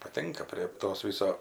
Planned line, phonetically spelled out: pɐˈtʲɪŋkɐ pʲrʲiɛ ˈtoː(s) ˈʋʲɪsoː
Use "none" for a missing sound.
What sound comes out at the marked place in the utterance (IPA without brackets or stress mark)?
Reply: s